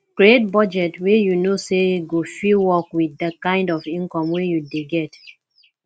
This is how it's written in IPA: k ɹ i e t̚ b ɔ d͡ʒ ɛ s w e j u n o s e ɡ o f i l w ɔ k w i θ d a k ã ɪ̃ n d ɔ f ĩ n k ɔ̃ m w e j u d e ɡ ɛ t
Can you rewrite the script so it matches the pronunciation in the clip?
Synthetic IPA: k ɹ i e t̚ b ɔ d͡ʒ ɛ t w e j u n o s e ɡ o f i l w ɔ k w i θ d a k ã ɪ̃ n d ɔ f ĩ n k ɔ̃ m w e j u d e ɡ ɛ t